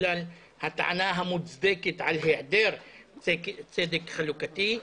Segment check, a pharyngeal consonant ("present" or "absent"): present